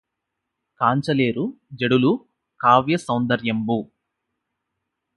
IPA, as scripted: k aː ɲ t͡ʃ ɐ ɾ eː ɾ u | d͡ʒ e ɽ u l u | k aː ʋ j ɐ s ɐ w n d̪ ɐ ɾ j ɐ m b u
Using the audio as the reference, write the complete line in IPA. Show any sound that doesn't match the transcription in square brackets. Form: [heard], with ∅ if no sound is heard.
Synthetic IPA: k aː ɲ t͡ʃ ɐ [l] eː ɾ u | d͡ʒ e ɽ u l u | k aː ʋ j ɐ s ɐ w n d̪ ɐ ɾ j ɐ m b u